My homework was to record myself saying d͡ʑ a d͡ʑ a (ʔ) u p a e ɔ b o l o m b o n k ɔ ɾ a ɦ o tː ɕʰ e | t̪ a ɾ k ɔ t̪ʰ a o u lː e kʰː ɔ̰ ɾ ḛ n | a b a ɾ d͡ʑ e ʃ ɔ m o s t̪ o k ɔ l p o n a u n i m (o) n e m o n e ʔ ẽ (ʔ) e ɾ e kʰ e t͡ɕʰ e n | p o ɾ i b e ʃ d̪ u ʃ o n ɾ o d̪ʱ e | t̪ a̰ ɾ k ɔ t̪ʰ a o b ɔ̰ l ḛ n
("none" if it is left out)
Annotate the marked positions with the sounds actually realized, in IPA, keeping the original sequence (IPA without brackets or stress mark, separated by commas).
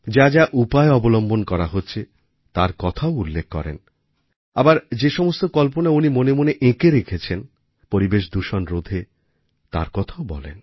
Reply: ʔ, o, k